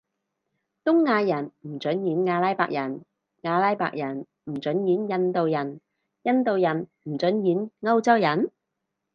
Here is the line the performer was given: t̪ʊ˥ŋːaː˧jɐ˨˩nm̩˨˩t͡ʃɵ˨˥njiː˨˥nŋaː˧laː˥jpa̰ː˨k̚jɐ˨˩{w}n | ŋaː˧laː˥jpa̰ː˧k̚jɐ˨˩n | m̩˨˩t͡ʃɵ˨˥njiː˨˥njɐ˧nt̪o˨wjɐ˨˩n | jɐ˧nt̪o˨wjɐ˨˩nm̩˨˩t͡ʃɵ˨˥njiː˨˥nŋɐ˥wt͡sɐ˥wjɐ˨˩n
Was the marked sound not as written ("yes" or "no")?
yes